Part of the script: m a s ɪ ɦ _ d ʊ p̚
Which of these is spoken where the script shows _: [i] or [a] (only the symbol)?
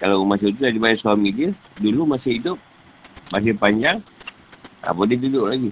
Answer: i